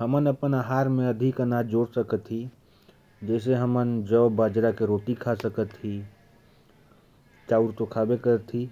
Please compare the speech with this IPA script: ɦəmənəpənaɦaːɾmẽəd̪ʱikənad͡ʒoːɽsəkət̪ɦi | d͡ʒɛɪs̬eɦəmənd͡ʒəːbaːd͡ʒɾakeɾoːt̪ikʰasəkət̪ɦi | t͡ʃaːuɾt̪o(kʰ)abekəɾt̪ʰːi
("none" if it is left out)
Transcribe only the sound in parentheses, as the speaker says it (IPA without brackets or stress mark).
kʰ